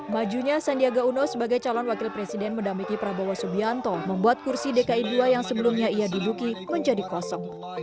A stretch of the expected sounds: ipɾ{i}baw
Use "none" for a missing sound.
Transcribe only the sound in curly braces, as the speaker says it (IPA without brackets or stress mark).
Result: a